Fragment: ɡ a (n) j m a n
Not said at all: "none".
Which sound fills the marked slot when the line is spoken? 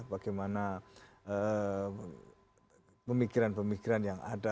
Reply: none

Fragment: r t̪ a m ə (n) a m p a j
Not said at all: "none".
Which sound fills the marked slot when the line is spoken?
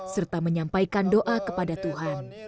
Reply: ɲ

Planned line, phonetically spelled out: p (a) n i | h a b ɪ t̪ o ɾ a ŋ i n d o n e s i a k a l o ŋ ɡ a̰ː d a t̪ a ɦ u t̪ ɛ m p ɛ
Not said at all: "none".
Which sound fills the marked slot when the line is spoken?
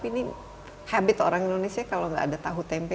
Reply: i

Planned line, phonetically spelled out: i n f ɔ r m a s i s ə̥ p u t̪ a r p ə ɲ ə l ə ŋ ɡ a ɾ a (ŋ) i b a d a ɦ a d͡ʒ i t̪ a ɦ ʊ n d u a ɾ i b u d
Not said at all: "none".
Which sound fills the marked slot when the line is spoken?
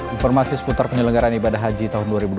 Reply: n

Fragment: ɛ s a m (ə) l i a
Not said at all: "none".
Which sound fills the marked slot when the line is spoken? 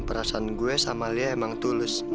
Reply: a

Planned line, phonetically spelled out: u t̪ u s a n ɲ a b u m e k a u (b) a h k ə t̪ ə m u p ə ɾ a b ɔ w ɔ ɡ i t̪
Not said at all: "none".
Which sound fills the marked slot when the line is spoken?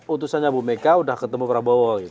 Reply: d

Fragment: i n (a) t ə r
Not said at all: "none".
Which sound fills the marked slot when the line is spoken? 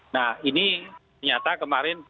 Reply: i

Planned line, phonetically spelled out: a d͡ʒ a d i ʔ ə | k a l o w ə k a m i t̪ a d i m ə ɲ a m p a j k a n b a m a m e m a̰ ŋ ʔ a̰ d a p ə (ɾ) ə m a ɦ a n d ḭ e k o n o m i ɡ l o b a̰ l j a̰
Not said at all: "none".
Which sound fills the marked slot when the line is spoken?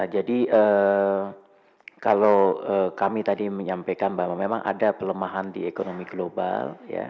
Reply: l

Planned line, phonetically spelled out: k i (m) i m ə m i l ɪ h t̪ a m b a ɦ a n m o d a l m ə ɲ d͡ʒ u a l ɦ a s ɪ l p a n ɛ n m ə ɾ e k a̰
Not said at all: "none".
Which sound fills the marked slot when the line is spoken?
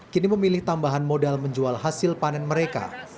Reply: n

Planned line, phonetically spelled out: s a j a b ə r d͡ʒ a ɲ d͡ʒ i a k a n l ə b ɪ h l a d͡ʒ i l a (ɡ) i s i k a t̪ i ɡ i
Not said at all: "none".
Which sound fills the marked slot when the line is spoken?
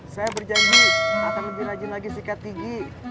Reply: ɡ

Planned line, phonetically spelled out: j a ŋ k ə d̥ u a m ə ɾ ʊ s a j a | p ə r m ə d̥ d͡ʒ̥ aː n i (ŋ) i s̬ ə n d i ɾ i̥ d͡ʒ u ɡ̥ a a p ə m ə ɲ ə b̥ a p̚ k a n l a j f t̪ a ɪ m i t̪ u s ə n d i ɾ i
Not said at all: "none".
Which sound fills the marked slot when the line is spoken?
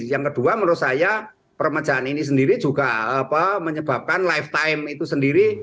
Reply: n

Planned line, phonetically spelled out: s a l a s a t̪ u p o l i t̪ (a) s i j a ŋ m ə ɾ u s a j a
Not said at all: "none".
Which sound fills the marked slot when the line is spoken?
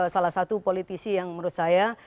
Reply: i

